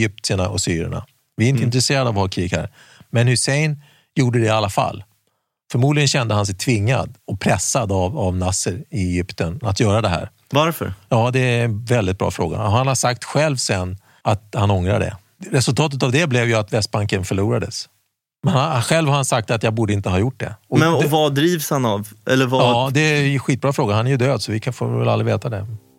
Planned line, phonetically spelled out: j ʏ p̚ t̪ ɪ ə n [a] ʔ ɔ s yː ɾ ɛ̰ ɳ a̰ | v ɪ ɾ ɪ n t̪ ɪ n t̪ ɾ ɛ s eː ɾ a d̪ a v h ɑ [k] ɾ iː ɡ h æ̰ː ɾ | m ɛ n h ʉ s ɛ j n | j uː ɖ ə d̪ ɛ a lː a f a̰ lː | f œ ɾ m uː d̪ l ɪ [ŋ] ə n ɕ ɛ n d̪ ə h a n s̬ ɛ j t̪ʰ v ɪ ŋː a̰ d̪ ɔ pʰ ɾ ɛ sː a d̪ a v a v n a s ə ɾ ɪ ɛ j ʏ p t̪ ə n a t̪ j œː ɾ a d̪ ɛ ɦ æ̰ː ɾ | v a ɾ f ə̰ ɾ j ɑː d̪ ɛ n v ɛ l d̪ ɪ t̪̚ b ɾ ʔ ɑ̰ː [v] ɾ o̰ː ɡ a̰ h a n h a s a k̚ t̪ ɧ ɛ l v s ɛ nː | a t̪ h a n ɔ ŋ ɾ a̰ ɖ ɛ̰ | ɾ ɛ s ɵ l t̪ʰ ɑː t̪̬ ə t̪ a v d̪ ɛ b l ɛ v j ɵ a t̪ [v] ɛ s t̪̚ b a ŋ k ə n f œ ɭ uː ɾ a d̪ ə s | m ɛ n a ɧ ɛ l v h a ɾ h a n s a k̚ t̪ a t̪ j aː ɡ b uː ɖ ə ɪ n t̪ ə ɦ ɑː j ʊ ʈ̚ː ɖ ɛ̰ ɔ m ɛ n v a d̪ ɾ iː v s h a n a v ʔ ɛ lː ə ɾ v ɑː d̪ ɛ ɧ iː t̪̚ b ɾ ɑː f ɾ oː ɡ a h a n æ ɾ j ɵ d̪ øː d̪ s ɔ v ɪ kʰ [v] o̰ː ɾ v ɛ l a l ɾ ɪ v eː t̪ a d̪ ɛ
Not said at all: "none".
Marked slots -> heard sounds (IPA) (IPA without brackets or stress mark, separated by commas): a, kʰ, ɡ, f, v, f